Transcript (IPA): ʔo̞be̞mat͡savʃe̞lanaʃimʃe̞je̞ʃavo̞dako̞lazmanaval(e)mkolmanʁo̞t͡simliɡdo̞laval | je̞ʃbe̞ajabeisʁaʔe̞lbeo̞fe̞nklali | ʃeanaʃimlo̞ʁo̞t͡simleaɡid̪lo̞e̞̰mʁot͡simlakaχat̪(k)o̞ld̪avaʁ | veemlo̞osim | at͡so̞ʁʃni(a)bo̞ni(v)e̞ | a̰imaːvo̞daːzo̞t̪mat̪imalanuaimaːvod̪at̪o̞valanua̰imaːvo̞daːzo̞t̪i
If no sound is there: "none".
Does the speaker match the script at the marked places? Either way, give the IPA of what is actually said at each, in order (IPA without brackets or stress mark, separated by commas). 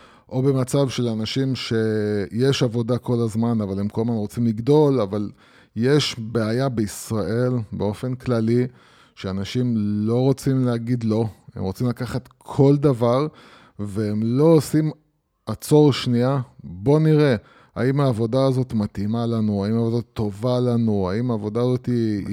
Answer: e, kʰ, a, ʁ